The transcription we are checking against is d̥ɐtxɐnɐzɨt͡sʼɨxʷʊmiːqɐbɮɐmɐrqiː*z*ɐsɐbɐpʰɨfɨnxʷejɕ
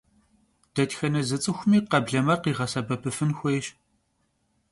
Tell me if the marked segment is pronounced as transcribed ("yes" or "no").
no